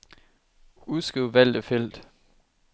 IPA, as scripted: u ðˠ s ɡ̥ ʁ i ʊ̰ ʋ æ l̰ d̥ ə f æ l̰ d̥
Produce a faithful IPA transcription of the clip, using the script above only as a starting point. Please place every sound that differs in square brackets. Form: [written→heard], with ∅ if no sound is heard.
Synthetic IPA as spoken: u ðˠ s ɡ̥ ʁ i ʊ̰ ʋ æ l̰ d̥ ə f [æ→e] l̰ d̥